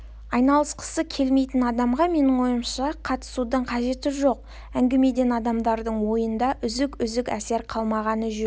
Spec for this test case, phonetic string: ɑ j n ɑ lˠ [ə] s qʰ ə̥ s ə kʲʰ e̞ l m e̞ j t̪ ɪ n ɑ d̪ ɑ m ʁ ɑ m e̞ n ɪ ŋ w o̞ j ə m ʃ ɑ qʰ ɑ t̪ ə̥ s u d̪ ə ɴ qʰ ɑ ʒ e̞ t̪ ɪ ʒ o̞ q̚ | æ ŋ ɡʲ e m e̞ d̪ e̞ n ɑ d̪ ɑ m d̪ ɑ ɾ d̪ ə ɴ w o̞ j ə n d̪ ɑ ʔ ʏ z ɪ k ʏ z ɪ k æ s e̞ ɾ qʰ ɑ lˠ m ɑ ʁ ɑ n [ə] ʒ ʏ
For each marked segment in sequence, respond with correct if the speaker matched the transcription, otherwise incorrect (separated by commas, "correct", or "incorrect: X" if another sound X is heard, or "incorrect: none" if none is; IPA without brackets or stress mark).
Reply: correct, correct